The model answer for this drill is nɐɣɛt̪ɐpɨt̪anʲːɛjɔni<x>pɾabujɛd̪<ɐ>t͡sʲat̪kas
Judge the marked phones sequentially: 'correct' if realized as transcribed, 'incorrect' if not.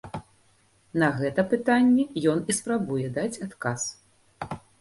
incorrect: s, incorrect: a

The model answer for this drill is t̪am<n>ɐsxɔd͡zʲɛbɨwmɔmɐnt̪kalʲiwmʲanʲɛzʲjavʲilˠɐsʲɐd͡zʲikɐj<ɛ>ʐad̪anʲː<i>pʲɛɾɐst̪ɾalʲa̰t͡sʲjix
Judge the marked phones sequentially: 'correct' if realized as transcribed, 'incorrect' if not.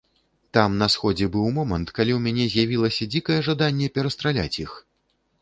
correct, correct, incorrect: ɛ

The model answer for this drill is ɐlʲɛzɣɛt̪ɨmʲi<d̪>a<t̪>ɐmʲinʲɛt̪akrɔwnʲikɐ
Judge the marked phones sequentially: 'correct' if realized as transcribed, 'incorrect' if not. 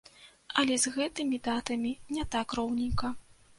correct, correct

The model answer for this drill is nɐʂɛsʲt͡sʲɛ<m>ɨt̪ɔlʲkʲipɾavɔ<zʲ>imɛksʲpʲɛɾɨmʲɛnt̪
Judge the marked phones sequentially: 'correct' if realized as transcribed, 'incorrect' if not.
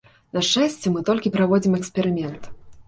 correct, incorrect: d͡zʲ

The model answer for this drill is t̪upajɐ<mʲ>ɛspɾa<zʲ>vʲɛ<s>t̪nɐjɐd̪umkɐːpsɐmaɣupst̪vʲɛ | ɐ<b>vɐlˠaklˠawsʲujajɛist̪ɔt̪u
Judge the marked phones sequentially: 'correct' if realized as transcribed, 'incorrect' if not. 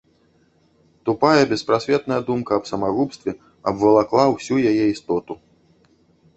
incorrect: bʲ, incorrect: sʲ, incorrect: none, correct

